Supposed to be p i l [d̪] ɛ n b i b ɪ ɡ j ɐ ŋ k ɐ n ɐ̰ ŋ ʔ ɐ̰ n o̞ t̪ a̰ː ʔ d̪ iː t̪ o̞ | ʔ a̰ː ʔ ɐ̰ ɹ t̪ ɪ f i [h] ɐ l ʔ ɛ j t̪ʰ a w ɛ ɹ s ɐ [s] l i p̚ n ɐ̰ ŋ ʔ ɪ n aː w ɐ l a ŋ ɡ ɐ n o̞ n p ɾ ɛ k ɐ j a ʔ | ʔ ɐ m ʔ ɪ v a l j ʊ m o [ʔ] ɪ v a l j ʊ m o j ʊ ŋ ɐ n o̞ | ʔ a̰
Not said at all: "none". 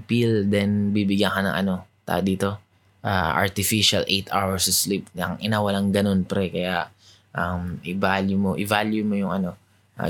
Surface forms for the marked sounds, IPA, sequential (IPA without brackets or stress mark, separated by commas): d̪, ʃ, s, ʔ